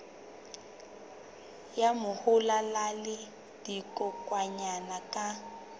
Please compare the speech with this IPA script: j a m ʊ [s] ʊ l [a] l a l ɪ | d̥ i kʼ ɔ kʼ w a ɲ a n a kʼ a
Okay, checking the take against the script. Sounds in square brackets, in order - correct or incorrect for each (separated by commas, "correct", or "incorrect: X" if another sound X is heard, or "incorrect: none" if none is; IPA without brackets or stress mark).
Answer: incorrect: h, correct